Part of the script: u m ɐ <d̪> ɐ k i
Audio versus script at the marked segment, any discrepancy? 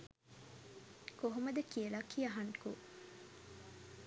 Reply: no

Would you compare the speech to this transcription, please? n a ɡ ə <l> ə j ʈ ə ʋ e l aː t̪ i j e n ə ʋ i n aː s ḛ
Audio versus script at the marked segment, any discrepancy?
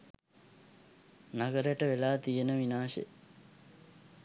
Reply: yes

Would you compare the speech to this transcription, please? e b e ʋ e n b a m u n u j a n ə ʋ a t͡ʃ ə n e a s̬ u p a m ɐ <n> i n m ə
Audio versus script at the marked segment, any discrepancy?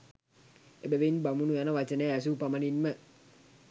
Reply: no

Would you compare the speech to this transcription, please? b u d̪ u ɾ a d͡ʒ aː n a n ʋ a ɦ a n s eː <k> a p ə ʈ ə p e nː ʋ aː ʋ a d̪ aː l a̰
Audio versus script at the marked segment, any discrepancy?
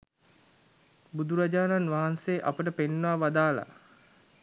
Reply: yes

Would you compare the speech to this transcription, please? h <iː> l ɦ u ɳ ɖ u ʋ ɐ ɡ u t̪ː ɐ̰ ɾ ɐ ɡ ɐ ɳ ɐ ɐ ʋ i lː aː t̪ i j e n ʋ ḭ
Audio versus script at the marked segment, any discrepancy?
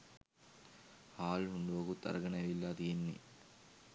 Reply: yes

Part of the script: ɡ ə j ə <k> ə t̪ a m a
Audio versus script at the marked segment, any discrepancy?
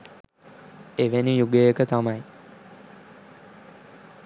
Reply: no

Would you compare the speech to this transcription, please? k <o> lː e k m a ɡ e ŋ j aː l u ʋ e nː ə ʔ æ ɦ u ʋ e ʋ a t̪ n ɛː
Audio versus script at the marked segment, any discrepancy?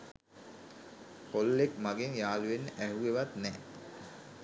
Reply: no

